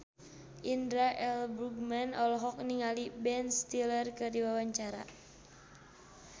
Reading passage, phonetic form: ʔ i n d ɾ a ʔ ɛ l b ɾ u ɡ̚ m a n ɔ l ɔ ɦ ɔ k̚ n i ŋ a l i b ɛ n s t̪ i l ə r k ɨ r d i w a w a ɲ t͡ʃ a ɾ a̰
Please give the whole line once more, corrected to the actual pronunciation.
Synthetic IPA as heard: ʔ i n d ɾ a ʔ ɛ l b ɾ u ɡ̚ m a n ɔ l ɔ ɦ ɔ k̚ n i ŋ a l i b ɛ n s t̪ i l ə r k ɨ r d i w a w a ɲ t͡ʃ a ɾ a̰